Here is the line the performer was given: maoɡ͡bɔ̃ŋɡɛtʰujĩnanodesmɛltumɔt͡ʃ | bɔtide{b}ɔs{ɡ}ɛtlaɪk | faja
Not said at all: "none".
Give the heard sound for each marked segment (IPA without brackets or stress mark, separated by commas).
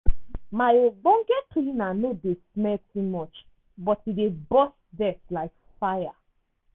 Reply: b, d